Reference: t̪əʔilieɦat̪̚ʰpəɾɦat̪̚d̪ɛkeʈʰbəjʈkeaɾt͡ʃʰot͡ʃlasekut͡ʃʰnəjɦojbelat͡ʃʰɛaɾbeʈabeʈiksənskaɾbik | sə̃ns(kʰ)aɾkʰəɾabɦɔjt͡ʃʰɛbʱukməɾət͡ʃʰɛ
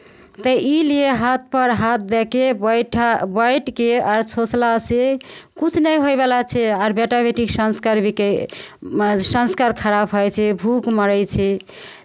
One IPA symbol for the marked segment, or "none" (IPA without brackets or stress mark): k